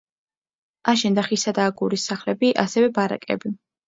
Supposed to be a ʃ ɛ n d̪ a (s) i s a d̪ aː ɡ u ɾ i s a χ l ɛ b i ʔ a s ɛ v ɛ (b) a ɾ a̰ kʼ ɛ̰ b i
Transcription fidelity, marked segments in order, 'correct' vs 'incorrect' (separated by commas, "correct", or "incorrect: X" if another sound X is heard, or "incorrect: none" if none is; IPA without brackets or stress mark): incorrect: χ, correct